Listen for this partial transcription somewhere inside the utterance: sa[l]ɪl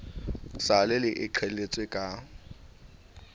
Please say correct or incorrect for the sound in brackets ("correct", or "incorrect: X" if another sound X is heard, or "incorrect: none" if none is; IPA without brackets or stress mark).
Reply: correct